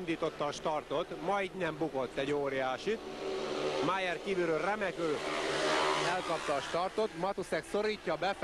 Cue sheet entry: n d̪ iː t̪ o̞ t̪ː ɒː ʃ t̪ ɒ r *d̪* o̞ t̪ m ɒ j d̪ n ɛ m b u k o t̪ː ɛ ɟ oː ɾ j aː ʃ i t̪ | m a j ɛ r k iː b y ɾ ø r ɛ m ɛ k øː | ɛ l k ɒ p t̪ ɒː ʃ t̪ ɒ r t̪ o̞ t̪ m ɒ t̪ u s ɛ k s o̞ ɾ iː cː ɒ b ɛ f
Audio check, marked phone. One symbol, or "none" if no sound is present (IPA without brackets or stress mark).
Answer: t̪